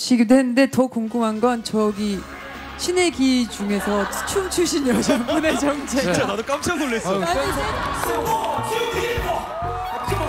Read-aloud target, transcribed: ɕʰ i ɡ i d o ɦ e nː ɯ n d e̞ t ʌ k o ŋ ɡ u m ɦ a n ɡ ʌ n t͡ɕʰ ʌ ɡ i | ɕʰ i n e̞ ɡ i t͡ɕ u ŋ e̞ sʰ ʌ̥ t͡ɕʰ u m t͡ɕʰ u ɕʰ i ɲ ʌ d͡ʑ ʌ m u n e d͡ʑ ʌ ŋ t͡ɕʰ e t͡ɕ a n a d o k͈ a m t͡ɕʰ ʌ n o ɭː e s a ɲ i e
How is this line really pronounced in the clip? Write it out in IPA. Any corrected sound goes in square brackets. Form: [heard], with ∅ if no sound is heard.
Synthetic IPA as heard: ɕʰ i ɡ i d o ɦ e nː ɯ n d e̞ t ʌ k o ŋ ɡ u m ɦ a n ɡ ʌ n [t͡ɕ] ʌ ɡ i | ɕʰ i n e̞ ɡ i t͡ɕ u ŋ e̞ sʰ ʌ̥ t͡ɕʰ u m t͡ɕʰ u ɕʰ i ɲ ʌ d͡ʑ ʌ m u n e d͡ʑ ʌ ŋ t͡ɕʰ e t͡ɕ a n a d o k͈ a m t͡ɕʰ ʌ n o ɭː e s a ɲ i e